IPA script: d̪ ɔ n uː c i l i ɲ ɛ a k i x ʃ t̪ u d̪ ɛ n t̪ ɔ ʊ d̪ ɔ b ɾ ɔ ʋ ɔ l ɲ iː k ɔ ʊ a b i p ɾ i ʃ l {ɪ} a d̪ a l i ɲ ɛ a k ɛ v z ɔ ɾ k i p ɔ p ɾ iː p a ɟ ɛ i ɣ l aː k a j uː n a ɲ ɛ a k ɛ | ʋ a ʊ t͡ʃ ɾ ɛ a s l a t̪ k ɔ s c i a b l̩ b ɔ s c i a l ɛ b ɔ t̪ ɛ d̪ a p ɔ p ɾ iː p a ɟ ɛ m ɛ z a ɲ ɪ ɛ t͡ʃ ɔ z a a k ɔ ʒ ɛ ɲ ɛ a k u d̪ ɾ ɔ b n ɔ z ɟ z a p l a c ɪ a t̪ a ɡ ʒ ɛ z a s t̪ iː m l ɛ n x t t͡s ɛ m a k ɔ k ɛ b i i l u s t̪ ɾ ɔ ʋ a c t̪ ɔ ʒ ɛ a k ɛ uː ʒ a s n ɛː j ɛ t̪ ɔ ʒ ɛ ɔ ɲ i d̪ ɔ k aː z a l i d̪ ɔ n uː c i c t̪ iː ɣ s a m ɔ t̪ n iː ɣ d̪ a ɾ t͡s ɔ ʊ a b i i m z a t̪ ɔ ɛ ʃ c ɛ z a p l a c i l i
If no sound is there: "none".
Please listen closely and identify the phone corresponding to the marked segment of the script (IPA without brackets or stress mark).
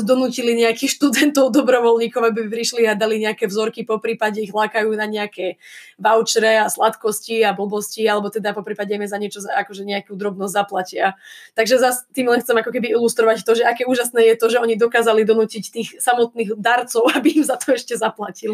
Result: i